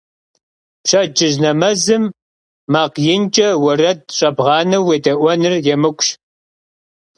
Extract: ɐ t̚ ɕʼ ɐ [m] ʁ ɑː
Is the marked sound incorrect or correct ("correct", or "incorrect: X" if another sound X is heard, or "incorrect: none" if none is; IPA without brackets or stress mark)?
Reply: incorrect: b